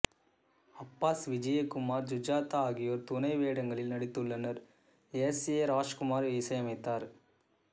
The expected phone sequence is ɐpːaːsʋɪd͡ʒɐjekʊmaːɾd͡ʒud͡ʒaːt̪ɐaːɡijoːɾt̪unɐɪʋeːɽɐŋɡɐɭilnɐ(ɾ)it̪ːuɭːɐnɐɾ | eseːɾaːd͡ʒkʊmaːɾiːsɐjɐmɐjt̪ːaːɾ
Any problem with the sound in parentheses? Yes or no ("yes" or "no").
yes